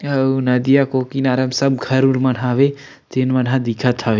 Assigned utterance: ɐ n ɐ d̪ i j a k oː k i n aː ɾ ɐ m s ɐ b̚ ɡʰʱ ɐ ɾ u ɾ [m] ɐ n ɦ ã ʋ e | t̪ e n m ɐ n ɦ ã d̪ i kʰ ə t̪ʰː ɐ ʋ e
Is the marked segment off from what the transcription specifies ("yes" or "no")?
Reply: no